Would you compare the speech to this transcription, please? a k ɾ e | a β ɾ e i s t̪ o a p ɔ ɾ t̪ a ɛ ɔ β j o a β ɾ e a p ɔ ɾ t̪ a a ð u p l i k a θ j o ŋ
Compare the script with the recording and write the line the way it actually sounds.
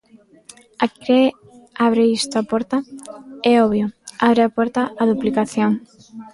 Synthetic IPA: a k ɾ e | a β ɾ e i s t̪ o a p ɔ ɾ t̪ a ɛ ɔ β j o a β ɾ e a p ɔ ɾ t̪ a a ð u p l i k a θ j o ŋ